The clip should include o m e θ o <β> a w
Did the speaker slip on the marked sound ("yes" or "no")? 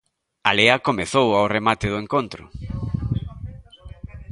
yes